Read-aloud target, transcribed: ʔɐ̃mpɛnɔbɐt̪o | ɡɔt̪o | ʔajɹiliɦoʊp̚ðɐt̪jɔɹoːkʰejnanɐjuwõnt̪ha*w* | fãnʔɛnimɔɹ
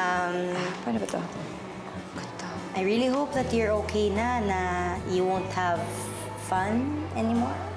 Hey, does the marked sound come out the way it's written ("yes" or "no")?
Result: no